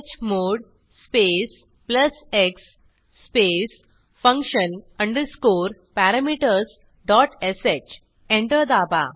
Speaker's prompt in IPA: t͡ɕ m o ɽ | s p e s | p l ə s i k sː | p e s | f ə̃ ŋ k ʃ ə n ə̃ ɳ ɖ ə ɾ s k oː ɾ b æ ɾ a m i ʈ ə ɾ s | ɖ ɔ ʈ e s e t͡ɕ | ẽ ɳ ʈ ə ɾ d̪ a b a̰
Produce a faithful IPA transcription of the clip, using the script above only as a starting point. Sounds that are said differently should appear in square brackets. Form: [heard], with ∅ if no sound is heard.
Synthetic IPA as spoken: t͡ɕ m o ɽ | s p e s | p l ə s [e] k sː | p e s | f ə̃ ŋ k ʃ ə n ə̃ ɳ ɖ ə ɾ s k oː ɾ [p] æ ɾ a m i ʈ ə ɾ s | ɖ ɔ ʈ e s e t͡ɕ | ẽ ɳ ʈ ə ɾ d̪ a b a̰